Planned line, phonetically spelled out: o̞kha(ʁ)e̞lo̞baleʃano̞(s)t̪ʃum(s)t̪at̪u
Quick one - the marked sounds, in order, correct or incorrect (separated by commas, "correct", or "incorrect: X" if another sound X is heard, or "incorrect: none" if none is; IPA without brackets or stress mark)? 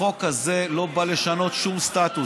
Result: incorrect: z, incorrect: none, correct